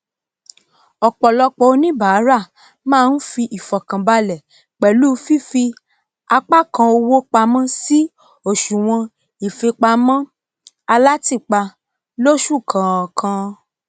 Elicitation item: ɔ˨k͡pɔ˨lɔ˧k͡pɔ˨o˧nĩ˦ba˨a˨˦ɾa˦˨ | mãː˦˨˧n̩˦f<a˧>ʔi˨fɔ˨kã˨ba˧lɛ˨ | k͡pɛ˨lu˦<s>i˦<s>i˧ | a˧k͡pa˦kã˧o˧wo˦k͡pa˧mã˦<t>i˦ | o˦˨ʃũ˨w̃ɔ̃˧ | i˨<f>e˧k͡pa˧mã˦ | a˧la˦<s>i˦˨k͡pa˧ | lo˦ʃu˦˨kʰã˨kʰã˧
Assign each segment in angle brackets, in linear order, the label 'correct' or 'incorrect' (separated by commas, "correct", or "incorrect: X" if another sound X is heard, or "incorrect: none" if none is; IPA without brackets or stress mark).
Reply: incorrect: i˧, incorrect: f, incorrect: f, incorrect: s, correct, incorrect: t